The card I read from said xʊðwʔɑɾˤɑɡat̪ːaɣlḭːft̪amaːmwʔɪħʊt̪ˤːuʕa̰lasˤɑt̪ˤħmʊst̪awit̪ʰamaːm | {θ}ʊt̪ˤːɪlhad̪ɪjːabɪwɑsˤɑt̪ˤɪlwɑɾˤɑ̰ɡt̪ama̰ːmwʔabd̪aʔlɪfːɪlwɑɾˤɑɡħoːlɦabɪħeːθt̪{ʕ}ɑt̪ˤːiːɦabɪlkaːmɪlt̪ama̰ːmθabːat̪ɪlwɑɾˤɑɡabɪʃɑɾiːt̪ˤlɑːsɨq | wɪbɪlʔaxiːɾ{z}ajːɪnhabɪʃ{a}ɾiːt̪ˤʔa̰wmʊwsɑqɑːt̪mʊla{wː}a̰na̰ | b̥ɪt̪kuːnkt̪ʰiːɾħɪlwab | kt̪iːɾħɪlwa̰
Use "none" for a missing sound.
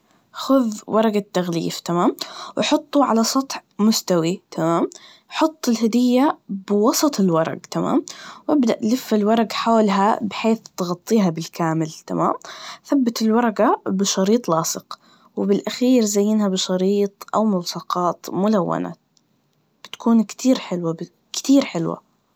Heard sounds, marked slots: ħ, ɣ, z, ɑ, wː

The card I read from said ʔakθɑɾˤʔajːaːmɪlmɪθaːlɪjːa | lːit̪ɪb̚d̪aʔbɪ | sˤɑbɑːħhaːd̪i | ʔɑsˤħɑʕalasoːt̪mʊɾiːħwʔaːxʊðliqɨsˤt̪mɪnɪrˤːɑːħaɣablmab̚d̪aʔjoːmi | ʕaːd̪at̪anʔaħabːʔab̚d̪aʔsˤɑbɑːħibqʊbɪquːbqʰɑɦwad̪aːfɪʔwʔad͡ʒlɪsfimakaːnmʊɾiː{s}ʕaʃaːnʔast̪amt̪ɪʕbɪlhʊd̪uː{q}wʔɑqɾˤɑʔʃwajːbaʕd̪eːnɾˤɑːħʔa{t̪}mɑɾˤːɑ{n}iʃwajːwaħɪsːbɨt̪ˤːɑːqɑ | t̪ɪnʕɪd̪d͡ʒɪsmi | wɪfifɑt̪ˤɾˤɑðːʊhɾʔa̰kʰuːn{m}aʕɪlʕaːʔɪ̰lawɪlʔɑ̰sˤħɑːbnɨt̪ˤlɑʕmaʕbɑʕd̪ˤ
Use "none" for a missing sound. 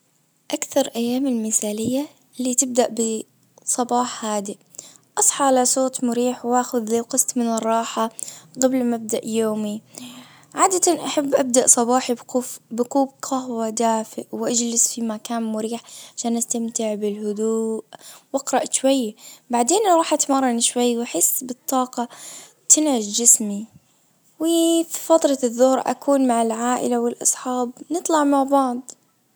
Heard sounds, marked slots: ħ, ʔ, t̪, n, m

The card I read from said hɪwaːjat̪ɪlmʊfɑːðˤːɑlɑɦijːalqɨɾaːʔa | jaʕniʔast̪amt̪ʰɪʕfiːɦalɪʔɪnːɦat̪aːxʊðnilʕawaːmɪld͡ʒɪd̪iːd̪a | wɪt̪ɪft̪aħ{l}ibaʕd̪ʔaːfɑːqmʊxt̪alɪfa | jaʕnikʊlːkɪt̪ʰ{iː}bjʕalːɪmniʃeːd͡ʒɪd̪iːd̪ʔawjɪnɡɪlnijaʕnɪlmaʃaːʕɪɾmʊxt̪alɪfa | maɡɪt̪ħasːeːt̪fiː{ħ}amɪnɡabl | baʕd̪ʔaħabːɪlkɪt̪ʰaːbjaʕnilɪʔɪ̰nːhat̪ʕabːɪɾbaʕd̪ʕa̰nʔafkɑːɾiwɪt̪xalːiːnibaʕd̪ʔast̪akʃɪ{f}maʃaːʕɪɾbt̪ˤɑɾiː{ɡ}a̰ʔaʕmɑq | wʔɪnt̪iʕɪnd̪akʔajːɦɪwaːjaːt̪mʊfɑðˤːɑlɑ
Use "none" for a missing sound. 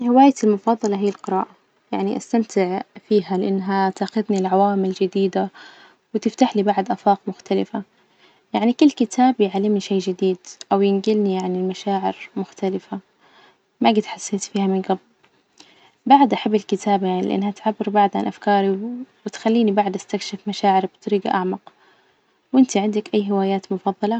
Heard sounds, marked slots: l, aː, h, f, ɡ

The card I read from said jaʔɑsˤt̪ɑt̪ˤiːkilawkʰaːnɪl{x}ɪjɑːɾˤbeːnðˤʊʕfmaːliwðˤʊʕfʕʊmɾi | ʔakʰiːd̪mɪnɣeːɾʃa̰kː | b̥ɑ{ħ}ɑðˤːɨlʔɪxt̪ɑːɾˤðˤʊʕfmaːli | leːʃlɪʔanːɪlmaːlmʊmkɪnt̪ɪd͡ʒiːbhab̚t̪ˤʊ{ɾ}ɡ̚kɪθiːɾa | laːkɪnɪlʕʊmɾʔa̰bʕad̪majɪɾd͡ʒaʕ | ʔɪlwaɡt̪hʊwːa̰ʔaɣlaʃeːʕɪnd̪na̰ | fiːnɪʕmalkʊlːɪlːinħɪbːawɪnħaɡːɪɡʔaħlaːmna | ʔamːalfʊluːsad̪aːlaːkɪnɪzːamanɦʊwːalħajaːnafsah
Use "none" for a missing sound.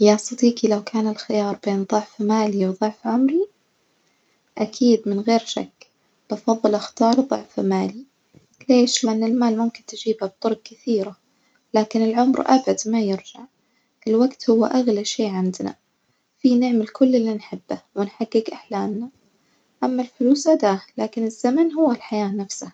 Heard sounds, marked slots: x, f, ɾ

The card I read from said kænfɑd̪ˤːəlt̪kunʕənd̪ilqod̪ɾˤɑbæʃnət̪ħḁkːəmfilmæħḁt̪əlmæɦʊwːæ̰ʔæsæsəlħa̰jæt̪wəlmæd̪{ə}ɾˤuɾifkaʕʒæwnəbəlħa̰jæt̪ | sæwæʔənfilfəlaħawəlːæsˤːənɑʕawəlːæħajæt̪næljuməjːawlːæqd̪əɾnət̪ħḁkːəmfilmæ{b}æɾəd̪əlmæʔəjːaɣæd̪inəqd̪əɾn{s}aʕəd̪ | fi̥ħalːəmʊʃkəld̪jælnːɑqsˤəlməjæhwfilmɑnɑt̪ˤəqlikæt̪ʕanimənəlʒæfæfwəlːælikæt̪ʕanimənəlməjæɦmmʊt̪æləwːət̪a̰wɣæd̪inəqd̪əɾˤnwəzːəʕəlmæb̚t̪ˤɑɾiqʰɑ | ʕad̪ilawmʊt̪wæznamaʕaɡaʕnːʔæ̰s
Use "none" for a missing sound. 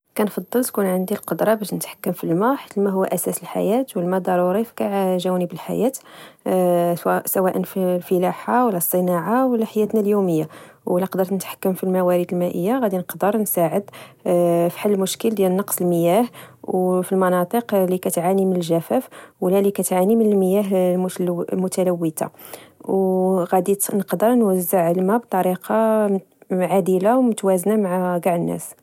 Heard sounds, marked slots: ɑ, w, s

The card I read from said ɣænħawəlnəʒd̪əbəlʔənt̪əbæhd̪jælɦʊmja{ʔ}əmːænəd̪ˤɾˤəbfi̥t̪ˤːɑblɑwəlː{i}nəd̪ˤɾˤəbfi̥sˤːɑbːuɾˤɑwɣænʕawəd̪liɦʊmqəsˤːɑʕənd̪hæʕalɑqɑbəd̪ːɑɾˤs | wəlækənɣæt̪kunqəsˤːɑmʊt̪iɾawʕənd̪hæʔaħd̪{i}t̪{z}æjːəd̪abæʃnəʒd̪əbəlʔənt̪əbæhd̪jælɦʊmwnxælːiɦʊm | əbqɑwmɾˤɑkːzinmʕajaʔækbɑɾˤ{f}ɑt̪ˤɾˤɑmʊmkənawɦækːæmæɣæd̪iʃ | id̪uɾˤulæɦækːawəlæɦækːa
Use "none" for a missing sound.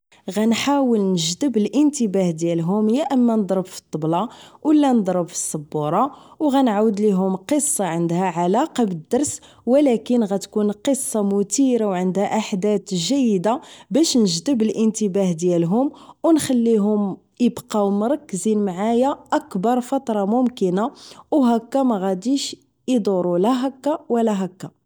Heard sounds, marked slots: ʔ, æ, æ, ʒ, f

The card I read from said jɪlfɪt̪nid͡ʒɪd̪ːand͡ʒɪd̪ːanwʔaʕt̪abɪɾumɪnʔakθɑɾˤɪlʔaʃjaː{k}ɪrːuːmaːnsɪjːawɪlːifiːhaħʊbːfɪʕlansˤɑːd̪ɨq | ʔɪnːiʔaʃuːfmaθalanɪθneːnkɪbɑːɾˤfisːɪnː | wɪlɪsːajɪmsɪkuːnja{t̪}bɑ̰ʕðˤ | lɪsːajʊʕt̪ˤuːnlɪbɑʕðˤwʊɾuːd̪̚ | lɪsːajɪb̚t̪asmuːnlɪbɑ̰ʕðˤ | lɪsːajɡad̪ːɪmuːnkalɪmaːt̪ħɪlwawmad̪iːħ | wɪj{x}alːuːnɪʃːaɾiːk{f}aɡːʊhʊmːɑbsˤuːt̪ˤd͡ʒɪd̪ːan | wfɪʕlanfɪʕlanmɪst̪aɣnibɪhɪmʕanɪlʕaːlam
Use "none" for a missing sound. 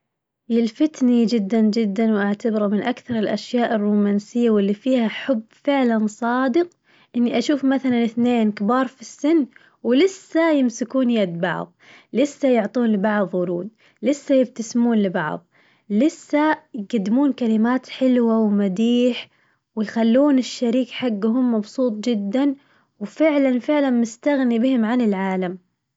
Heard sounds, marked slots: ʔ, d̪, x, ħ

